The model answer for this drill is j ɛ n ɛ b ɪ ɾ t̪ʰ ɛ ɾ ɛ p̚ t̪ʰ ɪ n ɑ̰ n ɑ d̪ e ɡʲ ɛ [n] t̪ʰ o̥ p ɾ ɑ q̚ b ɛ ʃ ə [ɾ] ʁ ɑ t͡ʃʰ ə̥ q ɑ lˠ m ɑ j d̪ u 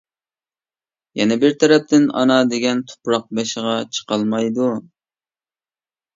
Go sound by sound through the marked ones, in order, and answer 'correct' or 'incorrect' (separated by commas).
correct, incorrect